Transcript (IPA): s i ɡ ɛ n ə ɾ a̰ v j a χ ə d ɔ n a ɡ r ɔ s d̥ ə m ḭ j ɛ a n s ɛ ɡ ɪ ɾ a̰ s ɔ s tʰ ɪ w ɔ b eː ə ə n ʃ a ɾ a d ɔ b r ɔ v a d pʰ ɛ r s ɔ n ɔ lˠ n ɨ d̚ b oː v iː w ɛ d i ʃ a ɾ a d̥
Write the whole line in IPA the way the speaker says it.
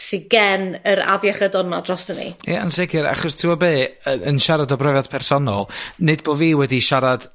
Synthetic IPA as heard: s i ɡ ɛ n ə ɾ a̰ v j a χ ə d ɔ n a d r ɔ s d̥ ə n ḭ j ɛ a n s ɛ ɡ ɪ ɾ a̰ χ ɔ s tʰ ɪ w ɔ b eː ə ə n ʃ a ɾ a d ɔ b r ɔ v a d pʰ ɛ r s ɔ n ɔ lˠ n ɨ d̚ b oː v iː w ɛ d i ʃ a ɾ a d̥